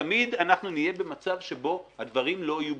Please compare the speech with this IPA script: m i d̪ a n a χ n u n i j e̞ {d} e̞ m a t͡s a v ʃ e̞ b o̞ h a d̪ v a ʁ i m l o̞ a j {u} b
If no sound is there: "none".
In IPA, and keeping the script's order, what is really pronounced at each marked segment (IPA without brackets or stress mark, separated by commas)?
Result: b, u